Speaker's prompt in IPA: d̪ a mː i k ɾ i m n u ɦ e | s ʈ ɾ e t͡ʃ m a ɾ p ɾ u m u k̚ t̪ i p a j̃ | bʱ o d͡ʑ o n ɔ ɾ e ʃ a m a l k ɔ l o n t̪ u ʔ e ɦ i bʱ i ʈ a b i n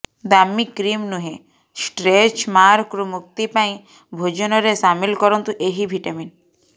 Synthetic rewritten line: d̪ a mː i k ɾ i m n u ɦ e | s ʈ ɾ e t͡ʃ m a ɾ k ɾ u m u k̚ t̪ i p a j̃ | bʱ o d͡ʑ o n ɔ ɾ e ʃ a m i l k ɔ ɾ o n t̪ u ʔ e ɦ i bʱ i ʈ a m i n

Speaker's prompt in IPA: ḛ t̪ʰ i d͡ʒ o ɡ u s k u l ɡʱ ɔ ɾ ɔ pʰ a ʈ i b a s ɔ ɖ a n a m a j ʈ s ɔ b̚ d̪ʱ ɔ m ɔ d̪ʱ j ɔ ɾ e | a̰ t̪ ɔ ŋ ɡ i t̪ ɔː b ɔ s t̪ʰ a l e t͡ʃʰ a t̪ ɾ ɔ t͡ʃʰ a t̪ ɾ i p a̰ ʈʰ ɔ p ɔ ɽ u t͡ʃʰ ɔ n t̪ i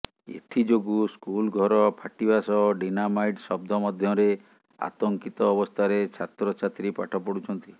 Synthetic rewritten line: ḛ t̪ʰ i d͡ʒ o ɡ u s k u l ɡʱ ɔ ɾ ɔ pʰ a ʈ i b a s ɔ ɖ i n a m a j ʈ s ɔ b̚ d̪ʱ ɔ m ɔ d̪ʱ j ɔ ɾ e | a̰ t̪ ɔ ŋ k i t̪ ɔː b ɔ s t̪ʰ a ɾ e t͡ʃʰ a t̪ ɾ ɔ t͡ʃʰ a t̪ ɾ i p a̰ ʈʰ ɔ p ɔ ɽ u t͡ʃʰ ɔ n t̪ i

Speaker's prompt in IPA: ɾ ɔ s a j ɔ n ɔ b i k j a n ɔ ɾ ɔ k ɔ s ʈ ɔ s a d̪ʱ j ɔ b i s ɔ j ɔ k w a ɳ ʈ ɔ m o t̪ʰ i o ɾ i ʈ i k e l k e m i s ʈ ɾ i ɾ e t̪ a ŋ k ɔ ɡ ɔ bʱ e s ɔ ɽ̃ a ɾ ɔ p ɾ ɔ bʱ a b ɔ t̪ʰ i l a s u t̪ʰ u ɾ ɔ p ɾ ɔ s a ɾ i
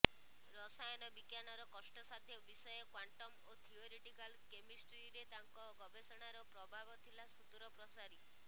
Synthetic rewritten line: ɾ ɔ s a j ɔ n ɔ b i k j a n ɔ ɾ ɔ k ɔ s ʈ ɔ s a d̪ʱ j ɔ b i s ɔ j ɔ k w a ɳ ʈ ɔ m o t̪ʰ i o ɾ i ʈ i k a l k e m i s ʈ ɾ i ɾ e t̪ a ŋ k ɔ ɡ ɔ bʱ e s ɔ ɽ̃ a ɾ ɔ p ɾ ɔ bʱ a b ɔ t̪ʰ i l a s u t̪ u ɾ ɔ p ɾ ɔ s a ɾ i

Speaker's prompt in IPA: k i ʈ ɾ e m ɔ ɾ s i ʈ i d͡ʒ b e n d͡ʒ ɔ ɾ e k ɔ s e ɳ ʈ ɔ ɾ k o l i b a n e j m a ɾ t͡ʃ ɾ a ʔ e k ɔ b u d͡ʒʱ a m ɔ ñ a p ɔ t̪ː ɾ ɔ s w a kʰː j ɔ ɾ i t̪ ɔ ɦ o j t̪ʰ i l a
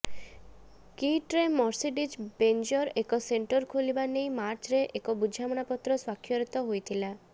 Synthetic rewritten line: k i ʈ ɾ e m ɔ ɾ s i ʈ i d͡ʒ b e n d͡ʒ ɔ ɾ e k ɔ s e ɳ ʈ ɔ ɾ kʰ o l i b a n e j m a ɾ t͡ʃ ɾ e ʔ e k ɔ b u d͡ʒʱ a m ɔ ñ a p ɔ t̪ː ɾ ɔ s w a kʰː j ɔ ɾ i t̪ ɔ ɦ o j t̪ʰ i l a

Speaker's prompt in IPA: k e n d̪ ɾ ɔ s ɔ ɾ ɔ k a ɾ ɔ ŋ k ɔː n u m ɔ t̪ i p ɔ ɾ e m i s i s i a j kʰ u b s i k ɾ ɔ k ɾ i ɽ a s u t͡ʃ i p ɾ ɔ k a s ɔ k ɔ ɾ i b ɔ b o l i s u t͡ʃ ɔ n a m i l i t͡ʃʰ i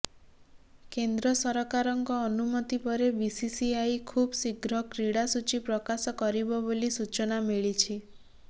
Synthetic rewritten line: k e n d̪ ɾ ɔ s ɔ ɾ ɔ k a ɾ ɔ ŋ k ɔː n u m ɔ t̪ i p ɔ ɾ e b i s i s i a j kʰ u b s i ɡ ɾ ɔ k ɾ i ɽ a s u t͡ʃ i p ɾ ɔ k a s ɔ k ɔ ɾ i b ɔ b o l i s u t͡ʃ ɔ n a m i ɭ i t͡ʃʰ i

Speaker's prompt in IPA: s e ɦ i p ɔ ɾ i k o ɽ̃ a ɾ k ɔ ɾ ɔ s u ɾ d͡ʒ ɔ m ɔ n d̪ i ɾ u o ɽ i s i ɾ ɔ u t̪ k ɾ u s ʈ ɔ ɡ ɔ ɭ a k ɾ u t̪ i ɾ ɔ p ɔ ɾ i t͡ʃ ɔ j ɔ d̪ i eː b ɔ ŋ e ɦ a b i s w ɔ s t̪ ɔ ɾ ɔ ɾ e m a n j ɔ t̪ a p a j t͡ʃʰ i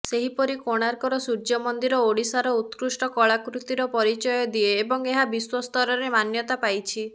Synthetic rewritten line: s e ɦ i p ɔ ɾ i k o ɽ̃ a ɾ k ɔ ɾ ɔ s u ɾ d͡ʒ ɔ m ɔ n d̪ i ɾ ɔ o ɽ i s a ɾ ɔ u t̪ k ɾ u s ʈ ɔ k ɔ ɭ a k ɾ u t̪ i ɾ ɔ p ɔ ɾ i t͡ʃ ɔ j ɔ d̪ i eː b ɔ ŋ e ɦ a b i s w ɔ s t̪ ɔ ɾ ɔ ɾ e m a n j ɔ t̪ a p a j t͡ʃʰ i

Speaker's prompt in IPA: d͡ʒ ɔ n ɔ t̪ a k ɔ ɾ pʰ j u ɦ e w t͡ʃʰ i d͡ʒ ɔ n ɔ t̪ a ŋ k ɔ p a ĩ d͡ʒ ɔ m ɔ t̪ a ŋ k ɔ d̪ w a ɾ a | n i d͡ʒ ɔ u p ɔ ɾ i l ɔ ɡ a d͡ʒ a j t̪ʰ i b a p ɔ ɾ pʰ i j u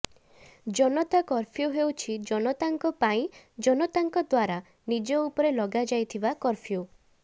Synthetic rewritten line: d͡ʒ ɔ n ɔ t̪ a k ɔ ɾ pʰ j u ɦ e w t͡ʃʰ i d͡ʒ ɔ n ɔ t̪ a ŋ k ɔ p a ĩ d͡ʒ ɔ n ɔ t̪ a ŋ k ɔ d̪ w a ɾ a | n i d͡ʒ ɔ u p ɔ ɾ e l ɔ ɡ a d͡ʒ a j t̪ʰ i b a k ɔ ɾ pʰ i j u

